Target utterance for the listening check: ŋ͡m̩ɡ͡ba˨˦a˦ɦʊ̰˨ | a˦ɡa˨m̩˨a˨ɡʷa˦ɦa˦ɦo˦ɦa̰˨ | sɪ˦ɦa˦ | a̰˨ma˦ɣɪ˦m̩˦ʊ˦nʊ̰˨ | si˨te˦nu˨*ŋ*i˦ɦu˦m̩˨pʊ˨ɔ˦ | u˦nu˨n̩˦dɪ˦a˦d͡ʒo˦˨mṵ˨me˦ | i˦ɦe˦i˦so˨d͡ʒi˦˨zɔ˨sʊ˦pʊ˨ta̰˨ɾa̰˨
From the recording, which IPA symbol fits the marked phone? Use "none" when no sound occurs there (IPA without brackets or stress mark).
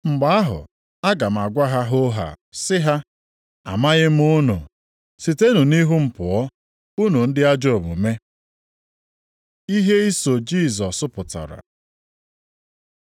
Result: n